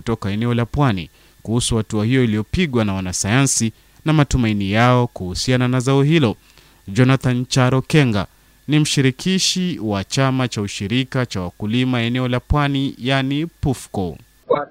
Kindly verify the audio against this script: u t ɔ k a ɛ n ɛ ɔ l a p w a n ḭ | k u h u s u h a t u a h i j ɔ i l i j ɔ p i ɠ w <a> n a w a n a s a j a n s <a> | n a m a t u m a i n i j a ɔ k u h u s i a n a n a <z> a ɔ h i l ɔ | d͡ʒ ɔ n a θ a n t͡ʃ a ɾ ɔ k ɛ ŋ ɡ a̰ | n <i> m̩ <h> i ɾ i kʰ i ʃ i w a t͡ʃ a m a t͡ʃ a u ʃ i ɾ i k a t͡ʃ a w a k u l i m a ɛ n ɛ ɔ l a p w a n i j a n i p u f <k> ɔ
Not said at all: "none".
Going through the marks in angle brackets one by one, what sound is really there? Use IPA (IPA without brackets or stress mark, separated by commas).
a, i, z, i, ʃ, k